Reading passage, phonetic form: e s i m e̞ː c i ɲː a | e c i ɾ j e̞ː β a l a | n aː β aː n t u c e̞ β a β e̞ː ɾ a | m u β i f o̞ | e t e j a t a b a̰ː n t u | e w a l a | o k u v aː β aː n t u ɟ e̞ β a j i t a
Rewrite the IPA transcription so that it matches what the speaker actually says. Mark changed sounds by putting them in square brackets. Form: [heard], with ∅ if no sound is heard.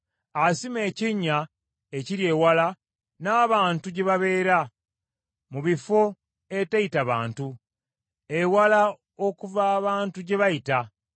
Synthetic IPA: [a] s i m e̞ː c i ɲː a | e c i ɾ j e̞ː [w] a l a | n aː β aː n t u [ɟ] e̞ β a β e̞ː ɾ a | m u β i f o̞ | e t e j [i] t a [β] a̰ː n t u | e w a l a | o k u v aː β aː n t u ɟ e̞ β a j i t a